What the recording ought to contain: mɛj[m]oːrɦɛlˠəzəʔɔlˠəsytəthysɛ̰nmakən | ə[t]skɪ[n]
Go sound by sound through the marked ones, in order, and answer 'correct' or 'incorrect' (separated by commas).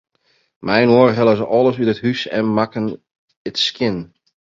incorrect, correct, correct